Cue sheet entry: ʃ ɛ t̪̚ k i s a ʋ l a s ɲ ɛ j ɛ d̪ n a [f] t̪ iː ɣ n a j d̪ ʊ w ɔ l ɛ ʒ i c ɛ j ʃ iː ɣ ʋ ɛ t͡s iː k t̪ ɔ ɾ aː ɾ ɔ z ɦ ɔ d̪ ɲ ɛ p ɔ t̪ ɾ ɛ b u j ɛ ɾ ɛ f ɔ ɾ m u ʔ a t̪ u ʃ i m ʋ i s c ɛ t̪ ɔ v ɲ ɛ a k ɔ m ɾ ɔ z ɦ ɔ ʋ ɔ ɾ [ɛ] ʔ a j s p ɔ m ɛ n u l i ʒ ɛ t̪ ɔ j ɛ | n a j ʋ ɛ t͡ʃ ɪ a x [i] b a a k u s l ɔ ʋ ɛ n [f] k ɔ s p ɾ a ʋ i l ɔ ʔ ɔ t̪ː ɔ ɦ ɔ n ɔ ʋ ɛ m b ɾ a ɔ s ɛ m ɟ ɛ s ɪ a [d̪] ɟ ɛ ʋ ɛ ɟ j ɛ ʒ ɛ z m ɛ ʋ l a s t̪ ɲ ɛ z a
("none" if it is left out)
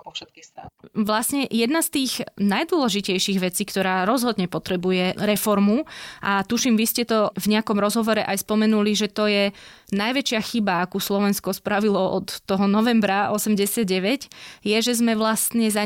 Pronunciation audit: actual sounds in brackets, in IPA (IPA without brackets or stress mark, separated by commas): s, ɛ, i, s, d̪